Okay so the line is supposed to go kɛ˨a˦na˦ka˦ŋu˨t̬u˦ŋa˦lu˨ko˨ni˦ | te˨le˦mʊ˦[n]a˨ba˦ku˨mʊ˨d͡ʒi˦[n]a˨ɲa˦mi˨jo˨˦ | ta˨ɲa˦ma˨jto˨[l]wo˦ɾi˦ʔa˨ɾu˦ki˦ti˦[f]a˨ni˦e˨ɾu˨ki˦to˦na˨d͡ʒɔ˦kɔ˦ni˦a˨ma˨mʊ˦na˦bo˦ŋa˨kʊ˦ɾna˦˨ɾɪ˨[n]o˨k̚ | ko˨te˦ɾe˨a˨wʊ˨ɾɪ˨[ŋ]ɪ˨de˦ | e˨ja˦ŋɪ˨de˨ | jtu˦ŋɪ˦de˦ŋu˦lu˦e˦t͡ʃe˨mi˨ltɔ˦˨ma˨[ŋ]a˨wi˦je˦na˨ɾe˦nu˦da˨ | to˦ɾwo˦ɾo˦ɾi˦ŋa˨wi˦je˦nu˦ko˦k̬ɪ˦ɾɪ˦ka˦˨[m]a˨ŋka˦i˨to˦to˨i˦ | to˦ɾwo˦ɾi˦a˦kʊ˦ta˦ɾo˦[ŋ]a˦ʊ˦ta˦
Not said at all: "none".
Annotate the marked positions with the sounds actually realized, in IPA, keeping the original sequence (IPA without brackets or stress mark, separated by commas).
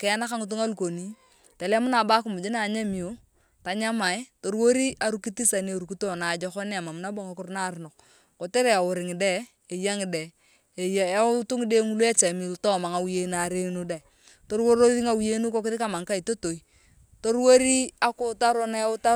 n, n, ɾ, s, n, ŋ, ŋ, m, n